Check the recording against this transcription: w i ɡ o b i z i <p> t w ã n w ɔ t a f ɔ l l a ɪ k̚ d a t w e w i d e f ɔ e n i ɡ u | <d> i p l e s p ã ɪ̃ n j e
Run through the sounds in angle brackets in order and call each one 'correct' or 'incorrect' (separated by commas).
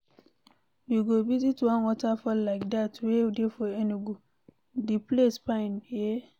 incorrect, correct